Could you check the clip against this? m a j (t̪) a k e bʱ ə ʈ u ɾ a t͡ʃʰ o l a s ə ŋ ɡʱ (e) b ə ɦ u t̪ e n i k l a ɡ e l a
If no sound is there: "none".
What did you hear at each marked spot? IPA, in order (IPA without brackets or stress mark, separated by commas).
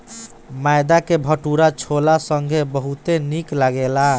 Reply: d̪, e